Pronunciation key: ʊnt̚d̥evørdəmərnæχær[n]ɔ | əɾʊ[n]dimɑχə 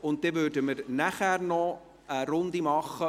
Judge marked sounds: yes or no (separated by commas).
yes, yes